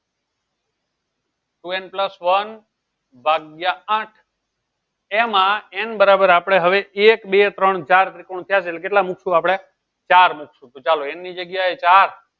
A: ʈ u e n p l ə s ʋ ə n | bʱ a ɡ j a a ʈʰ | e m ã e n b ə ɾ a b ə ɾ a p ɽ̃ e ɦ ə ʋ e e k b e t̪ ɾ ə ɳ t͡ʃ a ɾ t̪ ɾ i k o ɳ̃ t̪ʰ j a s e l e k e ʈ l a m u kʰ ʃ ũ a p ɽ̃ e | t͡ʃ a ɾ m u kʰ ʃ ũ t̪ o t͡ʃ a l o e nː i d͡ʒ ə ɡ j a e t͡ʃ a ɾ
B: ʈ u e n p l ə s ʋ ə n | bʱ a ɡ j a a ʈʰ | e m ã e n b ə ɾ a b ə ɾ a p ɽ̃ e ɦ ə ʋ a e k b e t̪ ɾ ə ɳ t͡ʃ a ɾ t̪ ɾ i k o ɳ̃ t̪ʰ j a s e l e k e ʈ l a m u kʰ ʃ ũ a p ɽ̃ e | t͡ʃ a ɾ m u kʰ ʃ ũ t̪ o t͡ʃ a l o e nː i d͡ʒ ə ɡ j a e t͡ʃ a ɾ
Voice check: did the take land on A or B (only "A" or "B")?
A